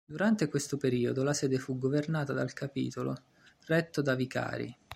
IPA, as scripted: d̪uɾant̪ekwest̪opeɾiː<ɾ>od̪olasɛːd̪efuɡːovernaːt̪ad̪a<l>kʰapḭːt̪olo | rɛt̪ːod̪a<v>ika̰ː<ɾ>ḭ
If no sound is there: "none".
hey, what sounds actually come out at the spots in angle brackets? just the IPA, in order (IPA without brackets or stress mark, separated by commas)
none, l, v, ɾ